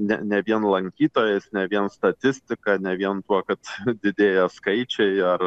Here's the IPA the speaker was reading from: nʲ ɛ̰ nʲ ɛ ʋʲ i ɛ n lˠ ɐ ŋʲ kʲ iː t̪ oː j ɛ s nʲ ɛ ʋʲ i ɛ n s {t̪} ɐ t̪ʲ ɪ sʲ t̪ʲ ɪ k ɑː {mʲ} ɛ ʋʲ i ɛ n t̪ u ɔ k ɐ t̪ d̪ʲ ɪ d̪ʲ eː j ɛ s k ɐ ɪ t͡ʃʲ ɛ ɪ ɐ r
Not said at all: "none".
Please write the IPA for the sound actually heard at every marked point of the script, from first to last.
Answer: t̪, nʲ

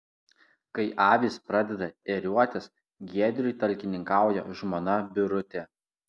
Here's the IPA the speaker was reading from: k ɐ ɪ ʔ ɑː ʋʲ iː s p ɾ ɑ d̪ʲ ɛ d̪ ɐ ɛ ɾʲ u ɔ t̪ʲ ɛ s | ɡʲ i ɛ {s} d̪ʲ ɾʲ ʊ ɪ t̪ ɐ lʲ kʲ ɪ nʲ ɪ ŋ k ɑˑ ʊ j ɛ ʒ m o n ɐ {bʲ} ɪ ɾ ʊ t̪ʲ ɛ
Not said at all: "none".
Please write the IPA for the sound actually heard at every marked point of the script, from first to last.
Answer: none, bʲ

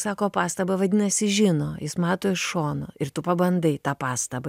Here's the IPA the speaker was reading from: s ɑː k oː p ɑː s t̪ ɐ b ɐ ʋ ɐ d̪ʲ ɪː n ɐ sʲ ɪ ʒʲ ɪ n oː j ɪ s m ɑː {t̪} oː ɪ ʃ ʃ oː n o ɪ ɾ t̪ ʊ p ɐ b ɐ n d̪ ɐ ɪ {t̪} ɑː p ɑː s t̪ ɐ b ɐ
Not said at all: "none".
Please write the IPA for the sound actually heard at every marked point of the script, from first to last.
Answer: t̪, t̪

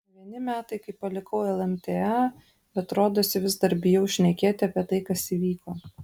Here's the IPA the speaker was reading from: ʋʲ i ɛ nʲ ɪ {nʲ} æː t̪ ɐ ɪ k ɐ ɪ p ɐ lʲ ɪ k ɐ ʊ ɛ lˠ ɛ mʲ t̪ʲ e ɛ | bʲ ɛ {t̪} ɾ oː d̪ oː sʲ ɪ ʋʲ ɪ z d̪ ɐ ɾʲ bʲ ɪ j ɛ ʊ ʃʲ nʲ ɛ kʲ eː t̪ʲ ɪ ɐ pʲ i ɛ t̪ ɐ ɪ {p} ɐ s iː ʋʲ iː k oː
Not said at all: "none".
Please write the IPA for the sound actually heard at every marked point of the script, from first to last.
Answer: mʲ, t̪, k

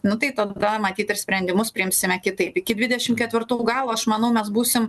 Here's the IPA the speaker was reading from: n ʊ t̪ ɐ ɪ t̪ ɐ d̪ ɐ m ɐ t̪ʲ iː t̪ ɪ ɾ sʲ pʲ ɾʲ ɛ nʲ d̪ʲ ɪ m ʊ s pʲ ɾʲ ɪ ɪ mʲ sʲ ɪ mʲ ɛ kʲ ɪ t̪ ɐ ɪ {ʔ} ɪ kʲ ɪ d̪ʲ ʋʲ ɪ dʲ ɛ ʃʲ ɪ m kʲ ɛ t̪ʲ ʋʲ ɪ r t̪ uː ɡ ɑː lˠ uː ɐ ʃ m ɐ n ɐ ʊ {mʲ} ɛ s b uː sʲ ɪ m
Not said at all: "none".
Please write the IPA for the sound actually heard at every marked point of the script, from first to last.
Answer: p, mʲ

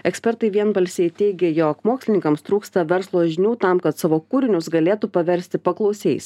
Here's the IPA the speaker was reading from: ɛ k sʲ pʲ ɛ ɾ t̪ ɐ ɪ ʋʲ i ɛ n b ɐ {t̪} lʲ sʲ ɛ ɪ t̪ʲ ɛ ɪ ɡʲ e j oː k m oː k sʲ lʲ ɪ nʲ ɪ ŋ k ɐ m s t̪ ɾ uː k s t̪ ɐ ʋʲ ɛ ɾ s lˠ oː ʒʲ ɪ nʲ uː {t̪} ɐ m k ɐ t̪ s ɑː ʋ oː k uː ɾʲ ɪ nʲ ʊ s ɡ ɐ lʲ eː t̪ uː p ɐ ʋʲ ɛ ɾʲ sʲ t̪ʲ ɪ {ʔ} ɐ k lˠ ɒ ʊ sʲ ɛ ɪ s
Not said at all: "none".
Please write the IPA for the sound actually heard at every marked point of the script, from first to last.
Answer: none, t̪, p

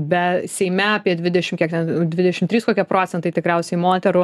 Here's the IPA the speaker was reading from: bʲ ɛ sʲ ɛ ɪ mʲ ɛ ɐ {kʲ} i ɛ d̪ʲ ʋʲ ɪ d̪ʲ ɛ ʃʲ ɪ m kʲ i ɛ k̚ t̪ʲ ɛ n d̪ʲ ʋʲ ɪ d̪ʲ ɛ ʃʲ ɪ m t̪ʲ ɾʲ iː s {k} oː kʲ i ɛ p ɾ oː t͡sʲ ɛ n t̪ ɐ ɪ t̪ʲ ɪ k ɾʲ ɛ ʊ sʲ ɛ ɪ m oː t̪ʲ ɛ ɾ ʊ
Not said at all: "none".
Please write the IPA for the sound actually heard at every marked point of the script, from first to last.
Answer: pʲ, k

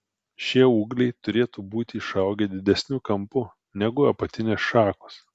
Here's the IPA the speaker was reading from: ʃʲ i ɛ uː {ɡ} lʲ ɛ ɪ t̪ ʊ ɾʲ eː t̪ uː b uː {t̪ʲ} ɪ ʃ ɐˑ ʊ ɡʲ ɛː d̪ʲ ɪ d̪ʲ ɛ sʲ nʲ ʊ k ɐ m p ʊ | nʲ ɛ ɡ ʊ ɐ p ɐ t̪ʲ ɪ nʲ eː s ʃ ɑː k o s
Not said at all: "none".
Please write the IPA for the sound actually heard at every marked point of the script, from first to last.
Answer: ɡ, t̪ʲ

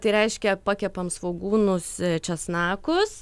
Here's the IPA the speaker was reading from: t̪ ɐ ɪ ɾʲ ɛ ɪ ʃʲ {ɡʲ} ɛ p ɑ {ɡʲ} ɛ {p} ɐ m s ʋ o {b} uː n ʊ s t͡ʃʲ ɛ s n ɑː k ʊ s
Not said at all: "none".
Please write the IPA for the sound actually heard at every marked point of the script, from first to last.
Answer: kʲ, kʲ, p, ɡ

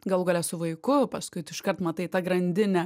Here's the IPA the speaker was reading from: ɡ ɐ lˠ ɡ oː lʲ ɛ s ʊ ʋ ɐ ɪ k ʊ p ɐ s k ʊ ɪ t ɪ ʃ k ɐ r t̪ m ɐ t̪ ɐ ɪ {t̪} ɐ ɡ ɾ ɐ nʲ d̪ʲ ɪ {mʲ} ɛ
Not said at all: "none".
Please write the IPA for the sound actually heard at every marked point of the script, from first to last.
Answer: t̪, nʲ

